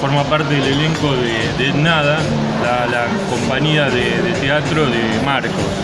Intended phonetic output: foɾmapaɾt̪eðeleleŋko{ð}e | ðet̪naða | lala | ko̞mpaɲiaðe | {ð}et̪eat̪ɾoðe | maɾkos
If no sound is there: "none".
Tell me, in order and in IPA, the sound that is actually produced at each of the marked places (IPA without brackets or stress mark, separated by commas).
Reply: ð, ð